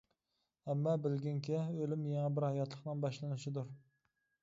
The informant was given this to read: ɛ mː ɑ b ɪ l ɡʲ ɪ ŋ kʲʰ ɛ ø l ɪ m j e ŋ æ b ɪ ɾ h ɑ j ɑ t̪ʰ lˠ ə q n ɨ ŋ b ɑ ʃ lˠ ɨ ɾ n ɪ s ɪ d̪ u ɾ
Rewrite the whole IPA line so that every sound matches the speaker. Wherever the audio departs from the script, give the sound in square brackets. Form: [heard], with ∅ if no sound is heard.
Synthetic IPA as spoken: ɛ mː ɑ b ɪ l ɡʲ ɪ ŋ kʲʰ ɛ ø l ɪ m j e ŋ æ b ɪ ɾ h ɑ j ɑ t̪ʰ lˠ ə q n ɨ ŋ b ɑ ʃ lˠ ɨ [∅] n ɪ [ʃ] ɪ d̪ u ɾ